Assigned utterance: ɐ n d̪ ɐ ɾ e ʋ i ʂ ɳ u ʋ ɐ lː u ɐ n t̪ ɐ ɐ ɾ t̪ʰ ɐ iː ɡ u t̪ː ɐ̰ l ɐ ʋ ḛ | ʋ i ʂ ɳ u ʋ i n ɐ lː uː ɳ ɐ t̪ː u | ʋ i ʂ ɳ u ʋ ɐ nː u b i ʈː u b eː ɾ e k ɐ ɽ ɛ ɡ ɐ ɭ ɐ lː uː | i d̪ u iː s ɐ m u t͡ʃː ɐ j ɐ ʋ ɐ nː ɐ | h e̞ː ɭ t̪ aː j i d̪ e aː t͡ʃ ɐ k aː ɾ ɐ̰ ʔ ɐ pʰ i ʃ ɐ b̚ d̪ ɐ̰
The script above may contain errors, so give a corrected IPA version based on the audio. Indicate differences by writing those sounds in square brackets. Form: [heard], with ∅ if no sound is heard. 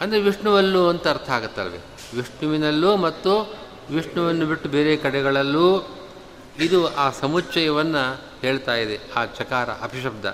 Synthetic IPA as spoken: ɐ n d̪ ɐ ɾ e ʋ i ʂ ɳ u ʋ ɐ lː u ɐ n t̪ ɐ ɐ ɾ t̪ʰ ɐ [aː] ɡ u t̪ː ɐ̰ l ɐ ʋ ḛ | ʋ i ʂ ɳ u ʋ i n ɐ lː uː [m] ɐ t̪ː u | ʋ i ʂ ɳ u ʋ ɐ nː u b i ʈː u b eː ɾ e k ɐ ɽ ɛ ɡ ɐ ɭ ɐ lː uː | i d̪ u [aː] s ɐ m u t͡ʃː ɐ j ɐ ʋ ɐ nː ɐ | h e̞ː ɭ t̪ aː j i d̪ e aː t͡ʃ ɐ k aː ɾ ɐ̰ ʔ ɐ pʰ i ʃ ɐ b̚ d̪ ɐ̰